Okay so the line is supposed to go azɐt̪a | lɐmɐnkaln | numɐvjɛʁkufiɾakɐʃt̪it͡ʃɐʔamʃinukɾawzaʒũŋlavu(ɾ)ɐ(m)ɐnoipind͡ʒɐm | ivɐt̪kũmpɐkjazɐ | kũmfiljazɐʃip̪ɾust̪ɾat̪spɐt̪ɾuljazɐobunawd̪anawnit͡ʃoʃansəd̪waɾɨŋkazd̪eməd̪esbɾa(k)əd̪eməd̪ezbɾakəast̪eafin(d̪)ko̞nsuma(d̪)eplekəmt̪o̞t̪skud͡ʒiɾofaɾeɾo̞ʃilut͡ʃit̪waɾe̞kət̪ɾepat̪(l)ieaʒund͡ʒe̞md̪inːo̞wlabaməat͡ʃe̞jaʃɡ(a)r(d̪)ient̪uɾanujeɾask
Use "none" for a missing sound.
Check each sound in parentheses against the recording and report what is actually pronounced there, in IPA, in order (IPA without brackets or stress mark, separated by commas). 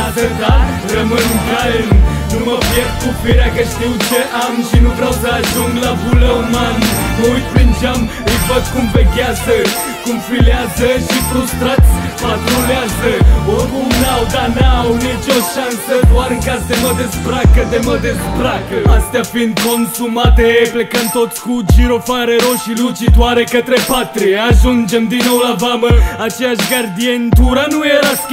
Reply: l, m, k, d̪, t̪, ɾ, a, d̪